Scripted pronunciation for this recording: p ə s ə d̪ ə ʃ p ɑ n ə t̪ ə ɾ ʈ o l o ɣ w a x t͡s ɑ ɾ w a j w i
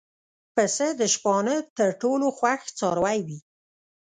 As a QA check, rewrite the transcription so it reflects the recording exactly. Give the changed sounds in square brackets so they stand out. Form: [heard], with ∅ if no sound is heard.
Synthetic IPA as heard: p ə s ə d̪ ə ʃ p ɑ n ə t̪ ə ɾ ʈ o l o [x] w a x t͡s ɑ ɾ w a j w i